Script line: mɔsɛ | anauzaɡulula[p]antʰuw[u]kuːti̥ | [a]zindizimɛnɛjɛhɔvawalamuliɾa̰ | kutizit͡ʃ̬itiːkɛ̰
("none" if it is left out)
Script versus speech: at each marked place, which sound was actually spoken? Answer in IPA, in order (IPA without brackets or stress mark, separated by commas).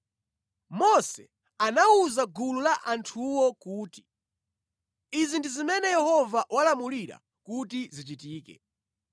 ʔ, ɔ, i